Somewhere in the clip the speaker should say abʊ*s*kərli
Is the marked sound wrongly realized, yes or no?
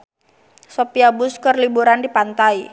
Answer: no